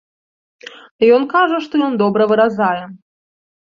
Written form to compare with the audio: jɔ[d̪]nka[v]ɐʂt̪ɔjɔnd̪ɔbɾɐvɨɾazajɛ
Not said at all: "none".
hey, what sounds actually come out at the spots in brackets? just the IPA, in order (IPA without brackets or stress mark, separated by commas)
none, ʐ